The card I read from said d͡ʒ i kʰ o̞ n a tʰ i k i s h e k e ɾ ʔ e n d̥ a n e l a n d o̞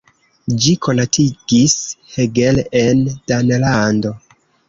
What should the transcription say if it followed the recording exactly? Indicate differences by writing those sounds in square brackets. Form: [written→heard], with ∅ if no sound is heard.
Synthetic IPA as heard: d͡ʒ i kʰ o̞ n a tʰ i [k→ɡ] i s h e [k→ɡ] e [ɾ→l] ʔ e n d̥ a n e l a n d o̞